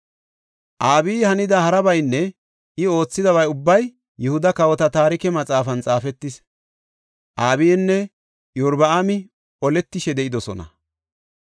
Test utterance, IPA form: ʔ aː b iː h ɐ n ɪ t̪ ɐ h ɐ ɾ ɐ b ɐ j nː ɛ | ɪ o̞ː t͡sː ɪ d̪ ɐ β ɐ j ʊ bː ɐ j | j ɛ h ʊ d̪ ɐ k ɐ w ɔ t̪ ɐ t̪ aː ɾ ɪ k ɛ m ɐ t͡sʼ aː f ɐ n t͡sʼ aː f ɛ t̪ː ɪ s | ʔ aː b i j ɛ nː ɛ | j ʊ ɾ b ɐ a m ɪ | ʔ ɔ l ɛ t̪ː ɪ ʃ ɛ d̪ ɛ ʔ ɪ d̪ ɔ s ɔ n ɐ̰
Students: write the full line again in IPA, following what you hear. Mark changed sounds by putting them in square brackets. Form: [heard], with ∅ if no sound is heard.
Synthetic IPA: ʔ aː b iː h ɐ n ɪ [d̪] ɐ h ɐ ɾ ɐ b ɐ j nː ɛ | ɪ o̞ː t͡sː ɪ d̪ ɐ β ɐ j ʊ bː ɐ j | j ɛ h ʊ d̪ ɐ k ɐ w ɔ t̪ ɐ t̪ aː ɾ ɪ k ɛ m ɐ t͡sʼ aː f ɐ n t͡sʼ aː f ɛ t̪ː ɪ s | ʔ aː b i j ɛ nː ɛ | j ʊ ɾ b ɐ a m ɪ | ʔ ɔ l ɛ t̪ː ɪ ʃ ɛ d̪ ɛ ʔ ɪ d̪ ɔ s ɔ n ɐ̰